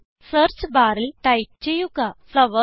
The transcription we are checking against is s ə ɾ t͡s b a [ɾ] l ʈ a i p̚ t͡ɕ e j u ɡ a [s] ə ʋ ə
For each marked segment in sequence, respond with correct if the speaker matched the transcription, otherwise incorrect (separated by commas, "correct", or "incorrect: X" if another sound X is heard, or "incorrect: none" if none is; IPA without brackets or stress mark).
correct, correct